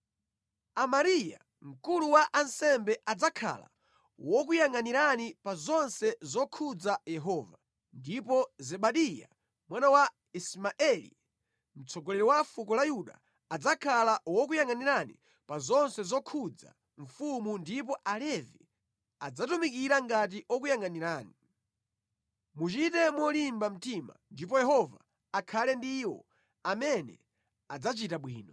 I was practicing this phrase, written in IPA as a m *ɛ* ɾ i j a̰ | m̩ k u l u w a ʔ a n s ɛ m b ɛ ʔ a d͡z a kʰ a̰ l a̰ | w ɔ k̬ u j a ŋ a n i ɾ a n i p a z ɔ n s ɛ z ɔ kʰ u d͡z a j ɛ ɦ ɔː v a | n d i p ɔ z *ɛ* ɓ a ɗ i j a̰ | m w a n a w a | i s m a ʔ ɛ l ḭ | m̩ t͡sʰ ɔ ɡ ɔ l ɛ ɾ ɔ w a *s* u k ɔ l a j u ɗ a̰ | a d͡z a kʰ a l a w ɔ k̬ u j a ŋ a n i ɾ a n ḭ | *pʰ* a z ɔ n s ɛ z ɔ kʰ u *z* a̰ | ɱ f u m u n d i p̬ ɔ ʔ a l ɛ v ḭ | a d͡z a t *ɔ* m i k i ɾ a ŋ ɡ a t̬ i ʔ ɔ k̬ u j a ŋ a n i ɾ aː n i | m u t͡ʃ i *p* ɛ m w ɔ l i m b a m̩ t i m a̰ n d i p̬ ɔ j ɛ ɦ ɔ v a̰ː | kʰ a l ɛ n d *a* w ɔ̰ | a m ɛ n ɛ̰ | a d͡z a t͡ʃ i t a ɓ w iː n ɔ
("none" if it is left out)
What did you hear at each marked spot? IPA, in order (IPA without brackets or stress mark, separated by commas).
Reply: a, ɛ, f, p, d͡z, u, t, i